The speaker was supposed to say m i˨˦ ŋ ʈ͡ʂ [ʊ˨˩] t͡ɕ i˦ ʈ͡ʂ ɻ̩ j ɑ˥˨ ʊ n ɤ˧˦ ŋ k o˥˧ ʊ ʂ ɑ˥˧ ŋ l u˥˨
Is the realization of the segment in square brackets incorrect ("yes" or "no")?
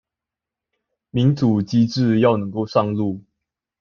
yes